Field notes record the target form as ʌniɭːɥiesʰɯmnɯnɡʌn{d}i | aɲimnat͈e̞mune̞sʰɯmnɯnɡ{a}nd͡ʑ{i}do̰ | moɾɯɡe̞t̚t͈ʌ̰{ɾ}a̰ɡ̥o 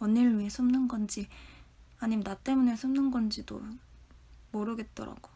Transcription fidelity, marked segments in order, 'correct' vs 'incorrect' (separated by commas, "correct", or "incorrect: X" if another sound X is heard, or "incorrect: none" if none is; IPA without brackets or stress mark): incorrect: d͡ʑ, incorrect: ʌ, correct, correct